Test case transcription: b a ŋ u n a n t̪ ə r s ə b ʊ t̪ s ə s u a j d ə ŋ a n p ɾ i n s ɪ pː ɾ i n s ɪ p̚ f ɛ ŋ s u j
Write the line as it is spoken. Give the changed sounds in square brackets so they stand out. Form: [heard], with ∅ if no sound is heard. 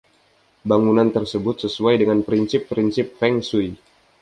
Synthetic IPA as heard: b a ŋ u n a n t̪ ə r s ə b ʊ t̪ s ə s u a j d ə ŋ a n p ɾ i n s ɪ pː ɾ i n s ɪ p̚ f ɛ ŋ s u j